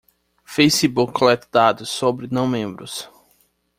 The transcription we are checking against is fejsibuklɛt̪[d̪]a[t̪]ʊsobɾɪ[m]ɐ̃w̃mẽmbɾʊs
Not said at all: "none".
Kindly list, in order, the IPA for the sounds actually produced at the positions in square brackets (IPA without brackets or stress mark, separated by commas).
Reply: d̪, d̪, n